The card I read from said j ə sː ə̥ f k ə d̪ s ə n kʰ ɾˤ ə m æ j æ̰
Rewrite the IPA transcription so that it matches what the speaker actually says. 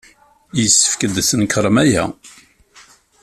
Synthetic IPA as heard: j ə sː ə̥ f k ə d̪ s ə n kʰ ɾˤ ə m æ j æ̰